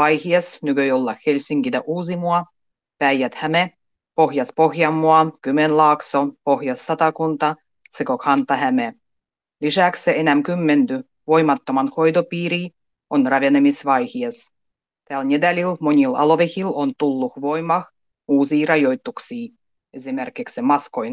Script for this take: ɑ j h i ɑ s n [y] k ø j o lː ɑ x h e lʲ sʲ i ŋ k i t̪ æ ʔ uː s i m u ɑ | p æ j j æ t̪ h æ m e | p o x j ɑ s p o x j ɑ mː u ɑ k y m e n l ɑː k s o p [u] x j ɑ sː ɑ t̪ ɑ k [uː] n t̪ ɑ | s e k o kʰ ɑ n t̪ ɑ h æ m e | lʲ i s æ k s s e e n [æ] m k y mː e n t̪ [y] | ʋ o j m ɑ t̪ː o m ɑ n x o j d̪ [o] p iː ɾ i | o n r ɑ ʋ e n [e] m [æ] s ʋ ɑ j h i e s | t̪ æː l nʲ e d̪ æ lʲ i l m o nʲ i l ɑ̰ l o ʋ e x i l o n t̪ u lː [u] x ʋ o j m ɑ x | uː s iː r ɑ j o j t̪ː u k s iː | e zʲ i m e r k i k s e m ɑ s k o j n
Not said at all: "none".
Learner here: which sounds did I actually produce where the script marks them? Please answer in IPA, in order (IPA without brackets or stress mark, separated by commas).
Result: y, o, u, æ, y, o, e, i, u